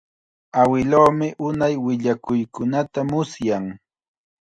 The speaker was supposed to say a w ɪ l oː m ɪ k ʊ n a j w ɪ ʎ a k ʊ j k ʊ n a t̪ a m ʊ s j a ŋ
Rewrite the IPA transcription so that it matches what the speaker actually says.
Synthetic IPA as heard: a w ɪ l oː m ɪ ʔ ʊ n a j w ɪ ʎ a k ʊ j k ʊ n a t̪ a m ʊ s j a ŋ

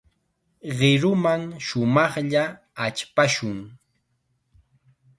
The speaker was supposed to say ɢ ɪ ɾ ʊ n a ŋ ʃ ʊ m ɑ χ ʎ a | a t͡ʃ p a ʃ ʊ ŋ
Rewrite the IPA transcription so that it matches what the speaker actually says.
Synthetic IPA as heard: ɢ ɪ ɾ ʊ m a ŋ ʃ ʊ m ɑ χ ʎ a | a t͡ʃ p a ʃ ʊ ŋ

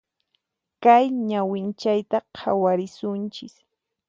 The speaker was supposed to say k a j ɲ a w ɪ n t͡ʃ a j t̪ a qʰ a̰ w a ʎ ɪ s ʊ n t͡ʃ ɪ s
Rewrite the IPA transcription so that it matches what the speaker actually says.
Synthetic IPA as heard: k a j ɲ a w ɪ n t͡ʃ a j t̪ a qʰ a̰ w a ɾ ɪ s ʊ n t͡ʃ ɪ s

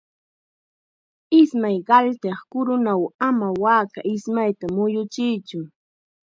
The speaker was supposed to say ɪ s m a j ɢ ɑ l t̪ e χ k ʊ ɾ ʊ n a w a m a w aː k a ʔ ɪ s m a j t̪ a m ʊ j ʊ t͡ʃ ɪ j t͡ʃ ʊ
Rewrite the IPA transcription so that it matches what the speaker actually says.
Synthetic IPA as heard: ɪ s m a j ɢ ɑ l t̪ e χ k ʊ ɾ ʊ n a w a m a w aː k a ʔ ɪ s m a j t̪ a m ʊ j ʊ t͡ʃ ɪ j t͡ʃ ʊ

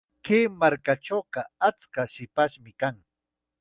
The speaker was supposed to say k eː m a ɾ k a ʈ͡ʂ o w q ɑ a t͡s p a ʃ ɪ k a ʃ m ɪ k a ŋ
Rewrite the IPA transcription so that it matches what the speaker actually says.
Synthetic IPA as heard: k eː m a ɾ k a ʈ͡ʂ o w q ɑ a t͡s k a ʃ ɪ p a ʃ m ɪ k a ŋ

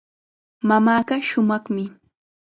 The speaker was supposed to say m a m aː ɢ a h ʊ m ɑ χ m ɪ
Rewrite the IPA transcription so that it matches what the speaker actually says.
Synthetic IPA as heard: m a m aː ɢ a ʃ ʊ m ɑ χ m ɪ

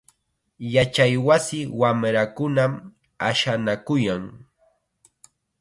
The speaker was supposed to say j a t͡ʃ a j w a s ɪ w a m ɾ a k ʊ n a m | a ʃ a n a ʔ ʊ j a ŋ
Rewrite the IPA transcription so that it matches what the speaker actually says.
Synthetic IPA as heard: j a t͡ʃ a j w a s ɪ w a m ɾ a k ʊ n a m | a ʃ a n a k ʊ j a ŋ

